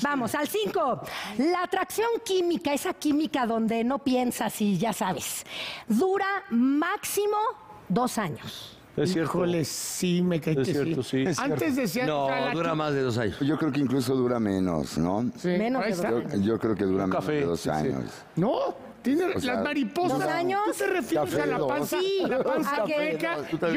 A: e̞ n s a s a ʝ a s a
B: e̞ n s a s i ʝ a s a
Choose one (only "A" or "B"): B